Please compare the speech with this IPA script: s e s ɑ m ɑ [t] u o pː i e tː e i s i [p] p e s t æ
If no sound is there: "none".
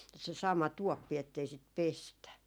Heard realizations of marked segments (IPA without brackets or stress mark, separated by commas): t, t